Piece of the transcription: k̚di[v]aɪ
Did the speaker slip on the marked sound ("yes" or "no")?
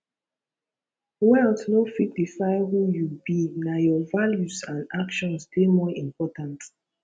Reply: yes